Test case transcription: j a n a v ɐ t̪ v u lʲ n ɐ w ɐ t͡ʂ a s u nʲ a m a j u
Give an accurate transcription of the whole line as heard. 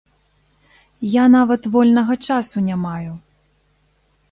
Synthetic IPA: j a n a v ɐ t̪ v ɔ lʲ n ɐ ɣ ɐ t͡ʂ a s u nʲ a m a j u